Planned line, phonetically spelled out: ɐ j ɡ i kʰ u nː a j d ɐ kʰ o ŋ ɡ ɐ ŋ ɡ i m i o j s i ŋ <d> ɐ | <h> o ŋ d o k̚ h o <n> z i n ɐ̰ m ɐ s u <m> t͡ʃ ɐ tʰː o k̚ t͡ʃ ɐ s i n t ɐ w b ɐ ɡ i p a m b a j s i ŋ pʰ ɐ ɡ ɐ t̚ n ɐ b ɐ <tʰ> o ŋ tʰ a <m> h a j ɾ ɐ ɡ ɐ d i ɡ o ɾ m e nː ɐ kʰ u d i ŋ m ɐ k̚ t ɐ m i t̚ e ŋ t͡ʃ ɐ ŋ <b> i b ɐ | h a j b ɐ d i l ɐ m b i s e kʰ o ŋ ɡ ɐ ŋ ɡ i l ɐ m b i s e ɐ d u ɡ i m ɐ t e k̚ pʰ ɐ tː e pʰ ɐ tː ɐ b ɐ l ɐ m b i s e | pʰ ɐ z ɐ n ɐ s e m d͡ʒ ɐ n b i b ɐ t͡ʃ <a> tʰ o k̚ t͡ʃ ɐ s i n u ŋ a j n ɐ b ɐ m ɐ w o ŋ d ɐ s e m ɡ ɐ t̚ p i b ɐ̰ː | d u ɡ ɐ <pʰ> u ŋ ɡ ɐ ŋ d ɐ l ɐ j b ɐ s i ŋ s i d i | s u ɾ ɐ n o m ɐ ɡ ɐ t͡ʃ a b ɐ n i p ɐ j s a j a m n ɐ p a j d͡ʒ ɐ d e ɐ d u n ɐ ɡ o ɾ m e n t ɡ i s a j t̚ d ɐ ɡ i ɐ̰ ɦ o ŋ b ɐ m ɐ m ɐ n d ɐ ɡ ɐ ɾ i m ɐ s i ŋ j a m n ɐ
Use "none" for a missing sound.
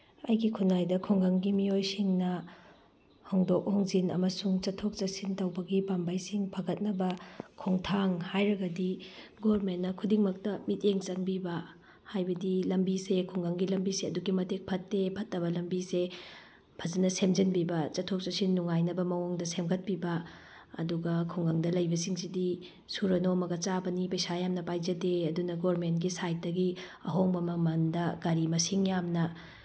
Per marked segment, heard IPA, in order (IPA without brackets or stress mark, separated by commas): n, h, ŋ, ŋ, kʰ, ŋ, b, ɐ, kʰ